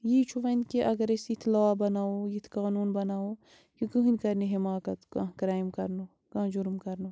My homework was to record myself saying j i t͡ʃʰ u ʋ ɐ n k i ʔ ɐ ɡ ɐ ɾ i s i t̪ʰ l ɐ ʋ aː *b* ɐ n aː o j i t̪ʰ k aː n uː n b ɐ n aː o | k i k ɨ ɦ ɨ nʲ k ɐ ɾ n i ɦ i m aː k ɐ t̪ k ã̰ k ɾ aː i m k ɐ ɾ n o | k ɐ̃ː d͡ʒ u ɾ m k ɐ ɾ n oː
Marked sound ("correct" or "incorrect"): correct